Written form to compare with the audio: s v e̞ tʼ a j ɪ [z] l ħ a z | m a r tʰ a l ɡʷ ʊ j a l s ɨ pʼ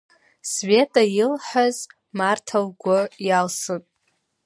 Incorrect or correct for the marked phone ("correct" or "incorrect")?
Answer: incorrect